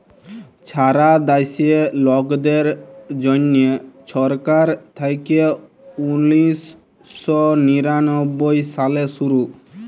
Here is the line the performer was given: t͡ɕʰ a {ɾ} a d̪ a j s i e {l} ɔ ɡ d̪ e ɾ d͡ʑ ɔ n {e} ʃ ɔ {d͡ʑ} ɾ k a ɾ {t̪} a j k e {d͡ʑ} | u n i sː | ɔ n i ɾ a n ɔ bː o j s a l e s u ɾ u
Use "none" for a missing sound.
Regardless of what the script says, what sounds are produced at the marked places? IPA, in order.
ɾ, l, e, none, t̪ʰ, none

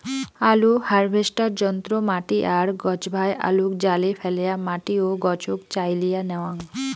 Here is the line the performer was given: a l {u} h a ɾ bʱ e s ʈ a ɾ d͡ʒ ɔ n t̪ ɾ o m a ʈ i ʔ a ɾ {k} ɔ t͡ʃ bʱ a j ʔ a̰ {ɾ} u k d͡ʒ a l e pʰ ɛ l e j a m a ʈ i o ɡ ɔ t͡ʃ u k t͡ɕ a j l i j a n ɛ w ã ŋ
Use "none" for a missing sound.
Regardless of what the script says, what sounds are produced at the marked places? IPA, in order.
u, ɡ, l

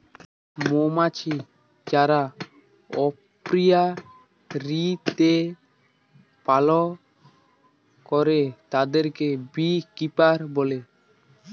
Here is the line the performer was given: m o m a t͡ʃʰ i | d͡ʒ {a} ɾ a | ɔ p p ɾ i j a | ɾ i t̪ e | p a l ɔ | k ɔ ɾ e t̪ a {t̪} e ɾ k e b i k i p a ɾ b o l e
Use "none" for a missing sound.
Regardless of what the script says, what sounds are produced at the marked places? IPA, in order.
a, d̪

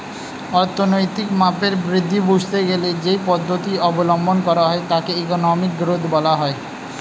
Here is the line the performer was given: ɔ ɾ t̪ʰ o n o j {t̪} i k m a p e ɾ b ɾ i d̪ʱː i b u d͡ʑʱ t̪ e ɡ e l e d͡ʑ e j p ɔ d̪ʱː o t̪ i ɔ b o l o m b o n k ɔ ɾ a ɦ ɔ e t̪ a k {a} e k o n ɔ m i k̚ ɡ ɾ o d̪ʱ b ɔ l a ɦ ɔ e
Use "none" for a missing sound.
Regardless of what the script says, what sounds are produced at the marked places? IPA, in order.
t̪, e

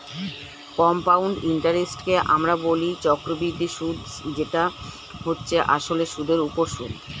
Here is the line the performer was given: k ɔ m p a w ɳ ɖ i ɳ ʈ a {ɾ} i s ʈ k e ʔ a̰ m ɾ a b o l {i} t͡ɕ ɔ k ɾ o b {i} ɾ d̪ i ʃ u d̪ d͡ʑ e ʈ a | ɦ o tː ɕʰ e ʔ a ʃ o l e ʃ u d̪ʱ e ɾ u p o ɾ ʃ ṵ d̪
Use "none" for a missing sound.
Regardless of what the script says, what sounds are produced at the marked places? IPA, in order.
ɾ, i, i

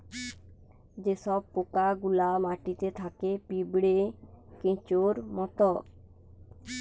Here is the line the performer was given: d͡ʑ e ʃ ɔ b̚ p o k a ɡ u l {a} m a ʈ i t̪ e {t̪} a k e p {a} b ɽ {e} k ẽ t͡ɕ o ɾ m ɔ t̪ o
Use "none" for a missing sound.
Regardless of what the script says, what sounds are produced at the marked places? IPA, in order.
a, t̪ʰ, i, e

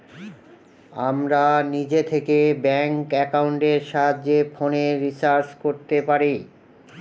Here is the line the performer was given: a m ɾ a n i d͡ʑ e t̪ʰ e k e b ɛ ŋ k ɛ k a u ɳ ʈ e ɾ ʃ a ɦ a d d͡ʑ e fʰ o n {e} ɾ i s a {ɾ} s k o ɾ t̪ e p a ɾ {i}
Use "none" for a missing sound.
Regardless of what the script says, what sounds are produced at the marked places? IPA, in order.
e, ɾ, i

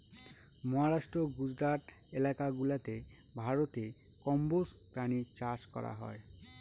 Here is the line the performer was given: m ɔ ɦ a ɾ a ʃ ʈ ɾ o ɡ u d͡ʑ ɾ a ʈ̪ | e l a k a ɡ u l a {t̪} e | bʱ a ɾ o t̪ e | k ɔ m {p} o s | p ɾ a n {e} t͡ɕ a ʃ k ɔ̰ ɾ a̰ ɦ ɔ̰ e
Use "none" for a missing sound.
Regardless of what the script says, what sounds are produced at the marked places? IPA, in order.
t̪, b, i

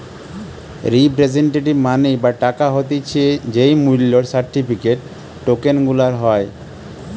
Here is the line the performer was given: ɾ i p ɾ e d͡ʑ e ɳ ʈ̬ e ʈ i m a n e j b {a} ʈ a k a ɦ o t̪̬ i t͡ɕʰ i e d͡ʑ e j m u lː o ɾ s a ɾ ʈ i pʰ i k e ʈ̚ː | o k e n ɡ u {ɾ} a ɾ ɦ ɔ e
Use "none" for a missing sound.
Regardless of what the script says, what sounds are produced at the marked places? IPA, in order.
a, l

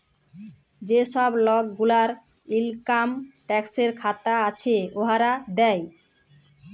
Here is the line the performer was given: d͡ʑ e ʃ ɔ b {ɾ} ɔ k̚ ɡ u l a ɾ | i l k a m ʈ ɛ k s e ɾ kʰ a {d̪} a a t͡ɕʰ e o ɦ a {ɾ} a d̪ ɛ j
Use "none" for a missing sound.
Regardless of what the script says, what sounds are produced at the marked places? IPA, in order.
l, t̪, ɾ

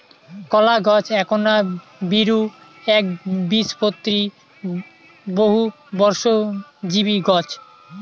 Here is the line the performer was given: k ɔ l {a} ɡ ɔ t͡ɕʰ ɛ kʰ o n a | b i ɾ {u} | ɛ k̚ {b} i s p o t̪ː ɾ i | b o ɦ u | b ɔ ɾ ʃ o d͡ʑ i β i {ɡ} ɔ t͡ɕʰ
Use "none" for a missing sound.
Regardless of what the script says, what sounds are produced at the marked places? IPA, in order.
a, u, b, ɡ

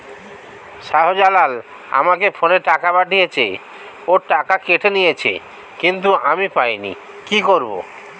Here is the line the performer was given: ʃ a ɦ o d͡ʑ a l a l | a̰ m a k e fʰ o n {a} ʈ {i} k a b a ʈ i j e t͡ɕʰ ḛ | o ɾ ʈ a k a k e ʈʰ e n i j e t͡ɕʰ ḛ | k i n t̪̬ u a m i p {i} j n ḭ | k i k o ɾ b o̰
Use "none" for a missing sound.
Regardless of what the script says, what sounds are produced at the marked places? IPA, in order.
e, a, a

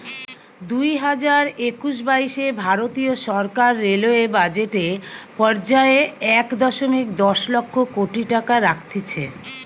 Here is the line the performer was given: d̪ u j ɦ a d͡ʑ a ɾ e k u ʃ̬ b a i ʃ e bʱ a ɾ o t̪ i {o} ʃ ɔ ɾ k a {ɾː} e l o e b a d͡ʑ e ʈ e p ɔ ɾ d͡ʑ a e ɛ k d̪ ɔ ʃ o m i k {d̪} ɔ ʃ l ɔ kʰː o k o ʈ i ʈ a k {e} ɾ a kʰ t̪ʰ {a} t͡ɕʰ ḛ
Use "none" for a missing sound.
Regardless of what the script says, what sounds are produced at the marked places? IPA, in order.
o, ɾː, d̪, a, i

